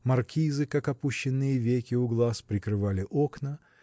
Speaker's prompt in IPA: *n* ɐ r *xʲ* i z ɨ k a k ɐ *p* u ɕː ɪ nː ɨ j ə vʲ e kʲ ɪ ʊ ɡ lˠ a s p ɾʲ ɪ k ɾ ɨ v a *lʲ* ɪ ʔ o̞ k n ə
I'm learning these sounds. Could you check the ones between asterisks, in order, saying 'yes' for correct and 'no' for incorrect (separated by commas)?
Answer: no, no, yes, yes